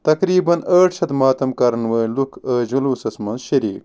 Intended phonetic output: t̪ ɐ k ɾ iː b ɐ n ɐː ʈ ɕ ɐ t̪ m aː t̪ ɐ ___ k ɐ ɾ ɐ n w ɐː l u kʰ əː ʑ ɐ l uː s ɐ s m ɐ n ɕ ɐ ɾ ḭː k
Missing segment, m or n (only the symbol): m